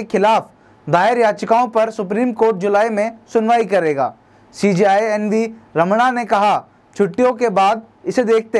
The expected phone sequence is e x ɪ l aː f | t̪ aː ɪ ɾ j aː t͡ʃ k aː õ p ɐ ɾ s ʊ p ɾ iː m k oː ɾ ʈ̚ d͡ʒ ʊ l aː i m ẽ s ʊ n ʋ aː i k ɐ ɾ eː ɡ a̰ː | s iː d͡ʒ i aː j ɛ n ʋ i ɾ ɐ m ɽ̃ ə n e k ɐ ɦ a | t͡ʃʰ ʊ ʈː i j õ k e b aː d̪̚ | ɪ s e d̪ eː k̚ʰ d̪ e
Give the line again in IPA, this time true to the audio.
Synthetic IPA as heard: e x ɪ l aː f | d̪ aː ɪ ɾ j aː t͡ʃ k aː õ p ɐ ɾ s ʊ p ɾ iː m k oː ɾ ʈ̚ d͡ʒ ʊ l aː i m ẽ s ʊ n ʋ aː i k ɐ ɾ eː ɡ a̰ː | s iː d͡ʒ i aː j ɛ n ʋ i ɾ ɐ m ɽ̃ a n e k ɐ ɦ a | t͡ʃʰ ʊ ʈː i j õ k e b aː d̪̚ | ɪ s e d̪ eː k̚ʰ t̪ e